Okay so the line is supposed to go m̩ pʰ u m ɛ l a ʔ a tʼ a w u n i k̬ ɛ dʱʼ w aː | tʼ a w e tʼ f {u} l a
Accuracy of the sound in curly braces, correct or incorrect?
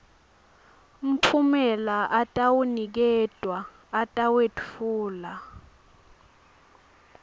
incorrect